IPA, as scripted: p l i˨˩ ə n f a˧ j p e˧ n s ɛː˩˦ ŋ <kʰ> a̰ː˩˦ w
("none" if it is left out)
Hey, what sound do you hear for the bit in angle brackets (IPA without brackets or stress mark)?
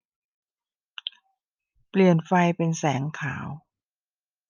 kʰ